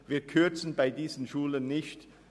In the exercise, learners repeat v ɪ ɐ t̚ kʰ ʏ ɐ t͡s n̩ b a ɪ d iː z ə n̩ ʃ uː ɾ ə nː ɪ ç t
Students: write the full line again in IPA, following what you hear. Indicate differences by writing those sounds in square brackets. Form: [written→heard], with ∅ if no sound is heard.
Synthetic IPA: v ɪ ɐ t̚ kʰ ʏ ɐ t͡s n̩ b a ɪ d iː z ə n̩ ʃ uː [ɾ→l] ə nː ɪ ç t

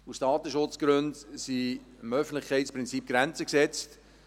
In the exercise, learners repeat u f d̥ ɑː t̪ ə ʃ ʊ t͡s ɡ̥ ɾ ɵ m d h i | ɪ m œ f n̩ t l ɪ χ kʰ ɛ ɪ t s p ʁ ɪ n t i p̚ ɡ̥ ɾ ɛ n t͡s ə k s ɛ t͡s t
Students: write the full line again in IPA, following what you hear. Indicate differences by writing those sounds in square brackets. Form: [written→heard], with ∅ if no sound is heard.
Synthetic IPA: u [f→s] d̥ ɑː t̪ ə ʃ ʊ t͡s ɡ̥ ɾ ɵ [m→n] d [h→s] i | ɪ m œ f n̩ t l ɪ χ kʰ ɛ ɪ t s p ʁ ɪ n [t→t͡s] i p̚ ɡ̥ ɾ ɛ n t͡s ə k s ɛ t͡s t

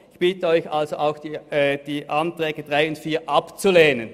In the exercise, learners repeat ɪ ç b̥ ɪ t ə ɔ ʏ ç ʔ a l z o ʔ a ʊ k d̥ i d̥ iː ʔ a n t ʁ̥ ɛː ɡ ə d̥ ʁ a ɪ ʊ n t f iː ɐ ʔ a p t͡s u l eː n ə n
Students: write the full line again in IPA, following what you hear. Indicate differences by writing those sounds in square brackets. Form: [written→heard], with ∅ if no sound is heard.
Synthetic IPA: ɪ ç b̥ ɪ t ə ɔ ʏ ç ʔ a l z o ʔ a ʊ [k→x] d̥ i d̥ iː ʔ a n t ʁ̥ ɛː ɡ ə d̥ ʁ a ɪ ʊ n t f iː ɐ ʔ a p t͡s u l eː n ə n

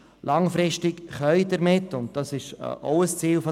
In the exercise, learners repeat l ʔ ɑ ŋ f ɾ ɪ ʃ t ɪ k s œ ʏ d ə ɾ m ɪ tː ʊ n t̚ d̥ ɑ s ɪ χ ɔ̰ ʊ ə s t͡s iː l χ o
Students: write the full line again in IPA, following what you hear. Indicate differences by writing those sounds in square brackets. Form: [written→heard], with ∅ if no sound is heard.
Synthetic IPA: l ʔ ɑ ŋ f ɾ ɪ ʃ t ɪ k [s→χ] œ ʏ d ə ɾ m ɪ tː ʊ n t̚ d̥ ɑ s ɪ [χ→ʃ] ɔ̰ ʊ ə s t͡s iː l [χ→f] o

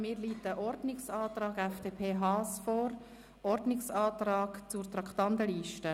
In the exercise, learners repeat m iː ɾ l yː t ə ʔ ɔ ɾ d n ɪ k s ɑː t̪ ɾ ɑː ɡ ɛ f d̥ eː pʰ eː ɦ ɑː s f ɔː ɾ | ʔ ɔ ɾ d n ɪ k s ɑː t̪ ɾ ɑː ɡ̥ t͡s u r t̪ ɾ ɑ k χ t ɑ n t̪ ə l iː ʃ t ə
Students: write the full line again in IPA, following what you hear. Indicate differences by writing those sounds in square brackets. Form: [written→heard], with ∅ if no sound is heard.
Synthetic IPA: m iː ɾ l [yː→iː] t ə ʔ ɔ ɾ d n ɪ k s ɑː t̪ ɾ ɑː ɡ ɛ f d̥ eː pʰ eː ɦ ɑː s f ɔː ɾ | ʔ ɔ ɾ d n ɪ k s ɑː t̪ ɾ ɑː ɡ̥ t͡s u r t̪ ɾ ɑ k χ t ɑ n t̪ ə l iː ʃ t ə

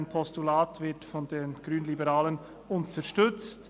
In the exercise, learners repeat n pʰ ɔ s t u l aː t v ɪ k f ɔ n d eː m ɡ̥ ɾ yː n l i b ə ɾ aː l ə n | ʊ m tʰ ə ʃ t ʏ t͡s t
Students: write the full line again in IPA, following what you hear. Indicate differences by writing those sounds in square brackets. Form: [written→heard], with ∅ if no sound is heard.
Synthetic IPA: n pʰ ɔ s t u l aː t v ɪ [k→t] f ɔ n d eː [m→n] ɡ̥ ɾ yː n l i b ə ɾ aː l ə n | ʊ [m→n] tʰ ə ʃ t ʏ t͡s t

